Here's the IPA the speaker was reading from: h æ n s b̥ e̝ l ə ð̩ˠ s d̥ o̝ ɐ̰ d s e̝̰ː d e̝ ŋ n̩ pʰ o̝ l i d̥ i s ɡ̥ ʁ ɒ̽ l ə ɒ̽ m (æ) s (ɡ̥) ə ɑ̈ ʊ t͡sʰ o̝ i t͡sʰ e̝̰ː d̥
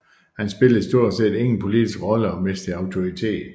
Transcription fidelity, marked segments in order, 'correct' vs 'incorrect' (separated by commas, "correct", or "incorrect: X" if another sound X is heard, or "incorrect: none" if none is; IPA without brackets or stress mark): incorrect: e, incorrect: d̥